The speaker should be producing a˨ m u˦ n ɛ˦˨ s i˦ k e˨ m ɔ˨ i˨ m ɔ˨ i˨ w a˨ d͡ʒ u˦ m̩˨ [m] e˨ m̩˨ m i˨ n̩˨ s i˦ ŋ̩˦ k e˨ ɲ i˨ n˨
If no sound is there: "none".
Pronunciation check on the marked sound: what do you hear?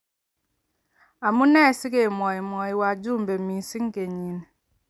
b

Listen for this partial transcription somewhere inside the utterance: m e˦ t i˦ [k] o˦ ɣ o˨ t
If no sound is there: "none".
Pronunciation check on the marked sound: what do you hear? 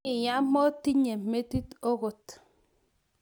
t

